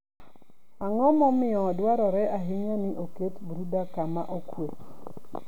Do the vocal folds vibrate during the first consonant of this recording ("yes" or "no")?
yes